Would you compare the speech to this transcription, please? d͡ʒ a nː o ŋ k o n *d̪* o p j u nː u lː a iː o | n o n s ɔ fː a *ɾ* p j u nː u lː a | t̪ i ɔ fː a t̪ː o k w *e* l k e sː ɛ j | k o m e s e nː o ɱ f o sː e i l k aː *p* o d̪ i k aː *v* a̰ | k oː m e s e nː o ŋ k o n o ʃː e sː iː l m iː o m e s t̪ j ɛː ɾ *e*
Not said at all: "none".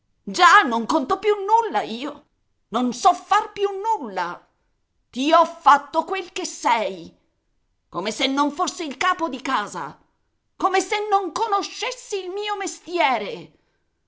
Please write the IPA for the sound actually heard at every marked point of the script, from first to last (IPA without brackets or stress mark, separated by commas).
t̪, r, e, p, z, e